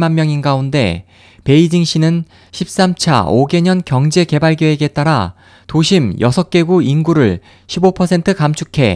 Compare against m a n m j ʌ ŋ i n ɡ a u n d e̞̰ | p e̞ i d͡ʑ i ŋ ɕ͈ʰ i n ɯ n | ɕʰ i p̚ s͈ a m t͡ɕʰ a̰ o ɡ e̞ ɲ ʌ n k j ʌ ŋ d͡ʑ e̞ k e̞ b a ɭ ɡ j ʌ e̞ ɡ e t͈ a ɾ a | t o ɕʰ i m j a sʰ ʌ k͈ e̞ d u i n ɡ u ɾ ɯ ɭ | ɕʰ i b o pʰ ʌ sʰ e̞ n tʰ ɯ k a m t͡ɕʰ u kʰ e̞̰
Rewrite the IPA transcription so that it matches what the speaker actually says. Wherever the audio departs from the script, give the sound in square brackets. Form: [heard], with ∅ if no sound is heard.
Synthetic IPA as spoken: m a n m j ʌ ŋ i n ɡ a u n d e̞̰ | p e̞ i d͡ʑ i ŋ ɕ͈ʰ i n ɯ n | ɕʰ i p̚ s͈ a m t͡ɕʰ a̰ o ɡ e̞ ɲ ʌ n k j ʌ ŋ d͡ʑ e̞ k e̞ b a ɭ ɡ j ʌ e̞ ɡ e t͈ a ɾ a | t o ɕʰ i m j [ʌ] sʰ ʌ k͈ e̞ [ɡ] u i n ɡ u ɾ ɯ ɭ | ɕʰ i b o pʰ ʌ sʰ e̞ n tʰ ɯ k a m t͡ɕʰ u kʰ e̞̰